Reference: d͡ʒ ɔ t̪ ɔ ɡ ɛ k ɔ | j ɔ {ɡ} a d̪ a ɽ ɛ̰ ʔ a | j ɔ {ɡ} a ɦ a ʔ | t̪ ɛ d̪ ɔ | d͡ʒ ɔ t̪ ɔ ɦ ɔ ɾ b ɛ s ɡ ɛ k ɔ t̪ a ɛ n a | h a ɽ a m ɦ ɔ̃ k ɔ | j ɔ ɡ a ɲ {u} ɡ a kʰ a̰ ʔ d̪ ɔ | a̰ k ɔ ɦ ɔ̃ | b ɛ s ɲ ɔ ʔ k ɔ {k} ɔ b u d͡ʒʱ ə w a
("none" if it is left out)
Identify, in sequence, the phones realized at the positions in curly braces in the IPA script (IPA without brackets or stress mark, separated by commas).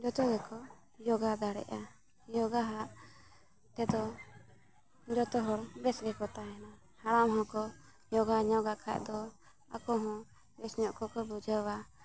ɡ, ɡ, ɔ, k